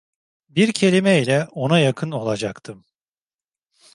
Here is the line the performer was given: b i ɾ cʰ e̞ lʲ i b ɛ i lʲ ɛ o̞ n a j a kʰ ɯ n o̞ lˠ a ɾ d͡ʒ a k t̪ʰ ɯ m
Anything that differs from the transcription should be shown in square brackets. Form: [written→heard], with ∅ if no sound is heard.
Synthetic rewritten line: b i ɾ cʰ e̞ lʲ i [b→m] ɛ i lʲ ɛ o̞ n a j a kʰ ɯ n o̞ lˠ a [ɾ→∅] d͡ʒ a k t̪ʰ ɯ m

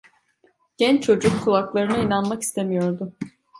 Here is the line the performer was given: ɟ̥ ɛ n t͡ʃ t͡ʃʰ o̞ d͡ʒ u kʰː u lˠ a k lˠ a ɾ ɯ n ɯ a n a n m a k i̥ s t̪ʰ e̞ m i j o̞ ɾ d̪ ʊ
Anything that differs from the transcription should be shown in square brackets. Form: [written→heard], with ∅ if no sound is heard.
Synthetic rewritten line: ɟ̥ ɛ n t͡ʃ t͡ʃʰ o̞ d͡ʒ u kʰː u lˠ a k lˠ a ɾ ɯ n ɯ [a→i] n a n m a k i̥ s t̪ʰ e̞ m i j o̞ ɾ d̪ ʊ

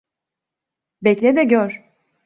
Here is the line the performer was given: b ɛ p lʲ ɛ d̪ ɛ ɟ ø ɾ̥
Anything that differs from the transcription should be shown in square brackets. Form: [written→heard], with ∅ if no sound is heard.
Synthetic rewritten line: b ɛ [p→c] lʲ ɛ d̪ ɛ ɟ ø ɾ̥

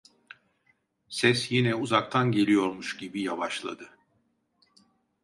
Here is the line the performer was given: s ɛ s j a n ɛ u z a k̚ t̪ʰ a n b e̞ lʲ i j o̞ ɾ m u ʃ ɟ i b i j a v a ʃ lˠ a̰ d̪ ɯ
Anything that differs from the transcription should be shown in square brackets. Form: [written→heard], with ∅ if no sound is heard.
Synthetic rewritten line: s ɛ s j [a→i] n ɛ u z a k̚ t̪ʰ a n [b→ɟ] e̞ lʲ i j o̞ ɾ m u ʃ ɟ i b i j a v a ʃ lˠ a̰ d̪ ɯ

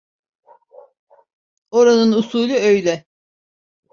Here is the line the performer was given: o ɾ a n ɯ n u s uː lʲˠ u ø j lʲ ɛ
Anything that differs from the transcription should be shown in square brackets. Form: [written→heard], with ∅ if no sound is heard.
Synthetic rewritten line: o ɾ a n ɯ n u s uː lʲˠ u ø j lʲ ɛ

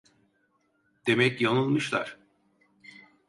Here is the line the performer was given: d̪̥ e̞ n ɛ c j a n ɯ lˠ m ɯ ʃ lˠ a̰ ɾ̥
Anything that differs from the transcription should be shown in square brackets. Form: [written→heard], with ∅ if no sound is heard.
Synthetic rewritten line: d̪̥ e̞ [n→m] ɛ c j a n ɯ lˠ m ɯ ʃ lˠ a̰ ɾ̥

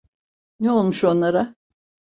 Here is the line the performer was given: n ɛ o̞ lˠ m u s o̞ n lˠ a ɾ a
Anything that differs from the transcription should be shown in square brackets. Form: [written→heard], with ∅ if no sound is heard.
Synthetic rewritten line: n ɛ o̞ lˠ m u [s→ʃ] o̞ n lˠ a ɾ a

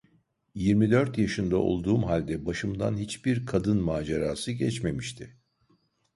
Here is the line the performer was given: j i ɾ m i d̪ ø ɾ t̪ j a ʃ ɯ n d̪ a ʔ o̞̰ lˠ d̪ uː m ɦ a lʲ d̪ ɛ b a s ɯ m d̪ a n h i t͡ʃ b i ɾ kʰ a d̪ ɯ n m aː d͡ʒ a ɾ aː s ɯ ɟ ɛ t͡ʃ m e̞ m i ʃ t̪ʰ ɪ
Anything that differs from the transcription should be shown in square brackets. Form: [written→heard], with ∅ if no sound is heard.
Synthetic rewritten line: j i ɾ m i d̪ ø ɾ t̪ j a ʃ ɯ n d̪ a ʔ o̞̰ lˠ d̪ uː m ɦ a lʲ d̪ ɛ b a [s→ʃ] ɯ m d̪ a n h i t͡ʃ b i ɾ kʰ a d̪ ɯ n m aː d͡ʒ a ɾ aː s ɯ ɟ ɛ t͡ʃ m e̞ m i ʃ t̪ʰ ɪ

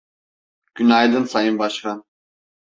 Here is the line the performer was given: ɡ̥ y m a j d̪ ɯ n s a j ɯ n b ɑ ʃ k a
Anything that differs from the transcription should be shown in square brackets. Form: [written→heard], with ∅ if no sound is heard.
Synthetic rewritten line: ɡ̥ y [m→n] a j d̪ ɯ n s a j ɯ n b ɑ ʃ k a

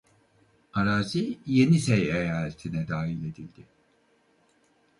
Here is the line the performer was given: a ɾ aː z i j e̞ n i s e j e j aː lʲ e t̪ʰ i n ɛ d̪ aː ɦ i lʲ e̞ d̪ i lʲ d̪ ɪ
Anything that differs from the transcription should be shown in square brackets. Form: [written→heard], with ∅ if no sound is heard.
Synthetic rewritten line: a ɾ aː z i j e̞ n i s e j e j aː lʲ e t̪ʰ i n ɛ d̪ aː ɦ i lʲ e̞ d̪ i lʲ d̪ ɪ

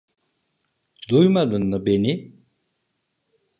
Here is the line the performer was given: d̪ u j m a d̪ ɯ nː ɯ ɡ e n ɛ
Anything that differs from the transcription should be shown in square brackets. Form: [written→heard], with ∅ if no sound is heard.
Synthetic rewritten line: d̪ u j m a d̪ ɯ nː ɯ [ɡ→b] e n [ɛ→i]

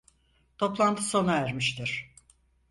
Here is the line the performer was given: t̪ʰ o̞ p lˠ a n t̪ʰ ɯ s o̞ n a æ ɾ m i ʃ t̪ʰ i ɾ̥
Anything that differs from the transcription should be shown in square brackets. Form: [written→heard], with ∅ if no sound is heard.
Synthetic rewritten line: t̪ʰ o̞ p lˠ a n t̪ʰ ɯ s o̞ n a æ ɾ m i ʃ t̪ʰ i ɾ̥

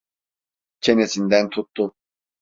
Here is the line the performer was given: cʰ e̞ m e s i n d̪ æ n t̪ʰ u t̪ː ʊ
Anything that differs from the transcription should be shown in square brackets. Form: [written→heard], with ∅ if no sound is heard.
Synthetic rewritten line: cʰ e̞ [m→n] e s i n d̪ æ n t̪ʰ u t̪ː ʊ

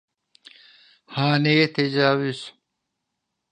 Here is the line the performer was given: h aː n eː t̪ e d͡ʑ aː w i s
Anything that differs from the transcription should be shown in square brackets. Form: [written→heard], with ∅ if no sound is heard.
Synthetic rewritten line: h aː n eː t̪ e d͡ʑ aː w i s

